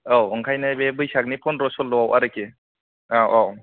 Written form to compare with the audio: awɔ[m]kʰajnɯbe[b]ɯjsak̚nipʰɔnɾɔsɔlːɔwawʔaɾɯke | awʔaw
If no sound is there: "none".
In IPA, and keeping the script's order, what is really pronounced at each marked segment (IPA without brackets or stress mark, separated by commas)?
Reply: ŋ, b